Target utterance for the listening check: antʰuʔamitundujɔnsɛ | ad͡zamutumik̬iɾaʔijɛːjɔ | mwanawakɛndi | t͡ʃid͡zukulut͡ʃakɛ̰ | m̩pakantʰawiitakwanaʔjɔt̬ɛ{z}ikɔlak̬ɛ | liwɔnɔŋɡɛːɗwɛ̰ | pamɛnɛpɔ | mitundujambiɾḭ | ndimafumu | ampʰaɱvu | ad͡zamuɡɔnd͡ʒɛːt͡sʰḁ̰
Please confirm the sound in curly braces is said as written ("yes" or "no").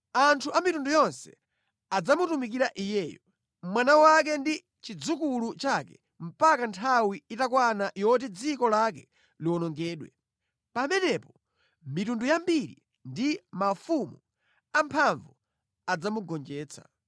no